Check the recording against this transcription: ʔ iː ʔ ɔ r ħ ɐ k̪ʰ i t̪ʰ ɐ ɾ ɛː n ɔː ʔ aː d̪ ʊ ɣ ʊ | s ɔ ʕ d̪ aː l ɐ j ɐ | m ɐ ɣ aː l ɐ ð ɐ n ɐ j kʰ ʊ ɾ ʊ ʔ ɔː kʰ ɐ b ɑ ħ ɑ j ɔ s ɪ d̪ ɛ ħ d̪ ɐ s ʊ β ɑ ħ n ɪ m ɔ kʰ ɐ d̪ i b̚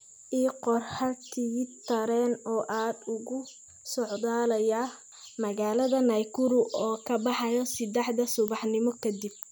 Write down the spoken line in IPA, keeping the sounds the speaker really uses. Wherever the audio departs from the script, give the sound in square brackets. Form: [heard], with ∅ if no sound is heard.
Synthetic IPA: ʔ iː [q] ɔ r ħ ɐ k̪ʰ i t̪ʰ ɐ ɾ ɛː n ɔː ʔ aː d̪ ʊ ɣ ʊ | s ɔ ʕ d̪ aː l ɐ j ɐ | m ɐ ɣ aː l ɐ ð ɐ n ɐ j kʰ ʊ ɾ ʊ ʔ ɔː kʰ ɐ b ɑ ħ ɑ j ɔ s ɪ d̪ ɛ ħ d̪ ɐ s ʊ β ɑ ħ n ɪ m ɔ kʰ ɐ d̪ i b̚